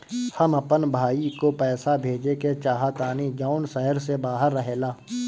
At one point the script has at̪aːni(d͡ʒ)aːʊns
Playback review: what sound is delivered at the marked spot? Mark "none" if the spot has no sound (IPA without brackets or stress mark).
d͡ʒ